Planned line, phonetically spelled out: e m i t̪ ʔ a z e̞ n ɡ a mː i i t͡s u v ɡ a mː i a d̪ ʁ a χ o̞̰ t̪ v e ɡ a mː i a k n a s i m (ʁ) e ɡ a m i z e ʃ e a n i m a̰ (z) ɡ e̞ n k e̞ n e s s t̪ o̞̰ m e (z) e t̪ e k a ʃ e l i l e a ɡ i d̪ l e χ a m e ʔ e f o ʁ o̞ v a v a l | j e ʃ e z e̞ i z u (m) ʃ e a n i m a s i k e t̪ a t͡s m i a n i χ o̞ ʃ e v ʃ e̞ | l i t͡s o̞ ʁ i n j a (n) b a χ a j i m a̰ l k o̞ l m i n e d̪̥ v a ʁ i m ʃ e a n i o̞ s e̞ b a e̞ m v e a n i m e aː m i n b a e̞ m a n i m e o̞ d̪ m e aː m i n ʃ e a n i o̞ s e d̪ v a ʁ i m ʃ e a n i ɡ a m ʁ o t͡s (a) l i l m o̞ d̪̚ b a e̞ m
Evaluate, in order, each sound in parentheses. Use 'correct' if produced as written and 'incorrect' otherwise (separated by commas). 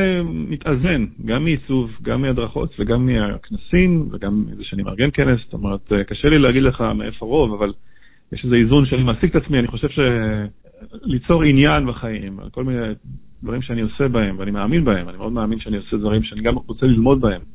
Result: incorrect, incorrect, incorrect, incorrect, correct, incorrect